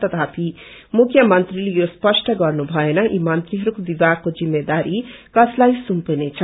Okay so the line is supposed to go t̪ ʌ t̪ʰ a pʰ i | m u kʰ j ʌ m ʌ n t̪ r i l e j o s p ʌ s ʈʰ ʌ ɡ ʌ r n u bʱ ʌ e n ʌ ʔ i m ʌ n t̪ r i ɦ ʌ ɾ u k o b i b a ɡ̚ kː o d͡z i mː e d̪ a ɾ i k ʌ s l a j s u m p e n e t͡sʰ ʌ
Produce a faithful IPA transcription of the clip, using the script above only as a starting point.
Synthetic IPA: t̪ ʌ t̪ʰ a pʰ i | m u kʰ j ʌ m ʌ n t̪ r i l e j o s p ʌ s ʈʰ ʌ ɡ ʌ r n u bʱ ʌ e n ʌ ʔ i m ʌ n t̪ r i ɦ ʌ ɾ u k o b i b a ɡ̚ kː o d͡z i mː e d̪ a ɾ i k ʌ s l a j s u m p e n e t͡sʰ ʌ